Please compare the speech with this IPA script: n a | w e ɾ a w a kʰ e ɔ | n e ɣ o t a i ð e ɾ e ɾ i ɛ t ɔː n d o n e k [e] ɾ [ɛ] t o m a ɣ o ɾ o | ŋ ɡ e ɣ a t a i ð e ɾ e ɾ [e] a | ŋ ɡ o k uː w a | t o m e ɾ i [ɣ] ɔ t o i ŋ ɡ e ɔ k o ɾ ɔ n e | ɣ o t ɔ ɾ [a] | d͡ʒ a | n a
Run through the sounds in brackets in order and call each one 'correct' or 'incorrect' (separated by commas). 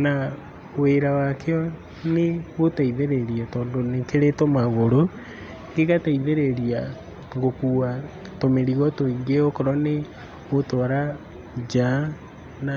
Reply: correct, incorrect, incorrect, correct, correct